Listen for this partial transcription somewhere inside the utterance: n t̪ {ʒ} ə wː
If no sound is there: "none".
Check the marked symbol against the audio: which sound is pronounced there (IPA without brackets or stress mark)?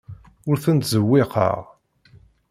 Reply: z